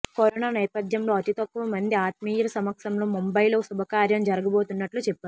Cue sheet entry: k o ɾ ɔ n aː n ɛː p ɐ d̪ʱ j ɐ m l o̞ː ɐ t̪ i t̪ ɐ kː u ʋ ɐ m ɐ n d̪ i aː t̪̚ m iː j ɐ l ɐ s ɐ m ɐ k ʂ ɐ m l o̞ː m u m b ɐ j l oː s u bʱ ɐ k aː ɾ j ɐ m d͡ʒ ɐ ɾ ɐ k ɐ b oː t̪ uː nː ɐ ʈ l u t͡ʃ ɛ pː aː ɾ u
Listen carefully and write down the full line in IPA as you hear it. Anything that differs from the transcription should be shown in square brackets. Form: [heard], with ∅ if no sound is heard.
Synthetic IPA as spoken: k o ɾ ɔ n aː n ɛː p ɐ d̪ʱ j ɐ m l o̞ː ɐ t̪ i t̪ ɐ kː u ʋ ɐ m ɐ n d̪ i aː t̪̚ m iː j ɐ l ɐ s ɐ m ɐ k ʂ ɐ m l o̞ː m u m b ɐ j l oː s u bʱ ɐ k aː ɾ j ɐ m d͡ʒ ɐ ɾ ɐ [ɡ] ɐ b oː t̪ [u] nː ɐ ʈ l u t͡ʃ ɛ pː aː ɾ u